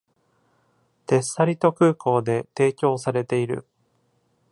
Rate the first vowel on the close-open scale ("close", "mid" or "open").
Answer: mid